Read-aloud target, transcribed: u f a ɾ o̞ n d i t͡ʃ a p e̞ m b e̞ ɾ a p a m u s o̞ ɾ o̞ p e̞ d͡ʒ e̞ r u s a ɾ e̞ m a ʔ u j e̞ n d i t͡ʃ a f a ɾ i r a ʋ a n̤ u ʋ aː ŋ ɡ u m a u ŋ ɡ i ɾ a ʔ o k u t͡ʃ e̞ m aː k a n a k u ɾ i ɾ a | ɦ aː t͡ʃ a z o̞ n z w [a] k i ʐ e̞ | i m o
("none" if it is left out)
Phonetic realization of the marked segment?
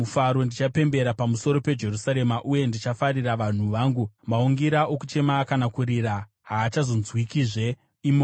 i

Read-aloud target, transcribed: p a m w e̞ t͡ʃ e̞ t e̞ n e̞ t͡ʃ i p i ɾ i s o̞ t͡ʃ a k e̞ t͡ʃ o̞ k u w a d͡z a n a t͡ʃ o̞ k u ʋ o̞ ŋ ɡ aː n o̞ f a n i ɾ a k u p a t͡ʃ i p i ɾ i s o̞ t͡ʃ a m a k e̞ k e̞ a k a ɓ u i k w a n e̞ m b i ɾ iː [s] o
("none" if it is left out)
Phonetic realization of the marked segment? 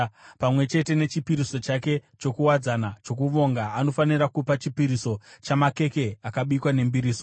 s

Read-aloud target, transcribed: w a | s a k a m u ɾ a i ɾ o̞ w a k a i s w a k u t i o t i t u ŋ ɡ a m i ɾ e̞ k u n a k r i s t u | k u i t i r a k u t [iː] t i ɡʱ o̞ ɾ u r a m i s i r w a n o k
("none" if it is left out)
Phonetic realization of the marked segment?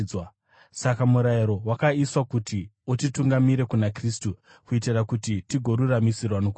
i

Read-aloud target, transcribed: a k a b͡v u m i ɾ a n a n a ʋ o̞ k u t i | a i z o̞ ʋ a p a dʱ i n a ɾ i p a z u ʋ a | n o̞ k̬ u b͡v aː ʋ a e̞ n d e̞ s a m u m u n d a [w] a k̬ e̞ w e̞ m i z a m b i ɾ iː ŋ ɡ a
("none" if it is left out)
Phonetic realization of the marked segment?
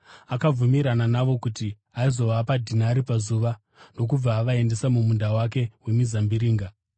w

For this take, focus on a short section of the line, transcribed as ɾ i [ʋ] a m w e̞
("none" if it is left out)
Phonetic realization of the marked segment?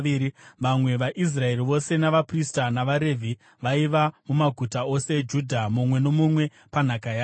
ʋ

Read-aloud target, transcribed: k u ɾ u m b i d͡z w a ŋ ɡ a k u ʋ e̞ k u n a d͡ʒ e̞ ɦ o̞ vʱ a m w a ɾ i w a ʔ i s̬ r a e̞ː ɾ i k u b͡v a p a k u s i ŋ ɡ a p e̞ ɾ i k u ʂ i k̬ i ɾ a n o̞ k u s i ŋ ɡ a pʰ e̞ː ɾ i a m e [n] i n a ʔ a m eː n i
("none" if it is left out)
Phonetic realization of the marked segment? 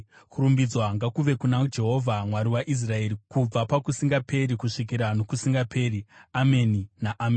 n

